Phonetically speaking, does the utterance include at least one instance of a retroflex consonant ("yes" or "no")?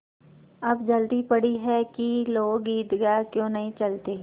yes